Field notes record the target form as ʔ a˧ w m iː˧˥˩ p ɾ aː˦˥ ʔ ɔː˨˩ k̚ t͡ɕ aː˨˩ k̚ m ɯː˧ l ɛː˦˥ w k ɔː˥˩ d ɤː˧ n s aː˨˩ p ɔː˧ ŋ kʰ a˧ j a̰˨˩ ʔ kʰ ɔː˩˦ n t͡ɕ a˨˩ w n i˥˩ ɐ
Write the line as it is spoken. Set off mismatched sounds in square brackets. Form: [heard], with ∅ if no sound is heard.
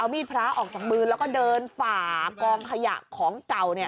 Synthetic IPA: ʔ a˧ w m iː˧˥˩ [pʰ] ɾ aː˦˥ ʔ ɔː˨˩ k̚ t͡ɕ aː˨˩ k̚ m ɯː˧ l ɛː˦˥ w k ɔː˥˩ d ɤː˧ n [f] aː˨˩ [k] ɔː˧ ŋ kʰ a˧ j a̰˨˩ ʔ kʰ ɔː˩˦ [ŋ] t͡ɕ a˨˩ w n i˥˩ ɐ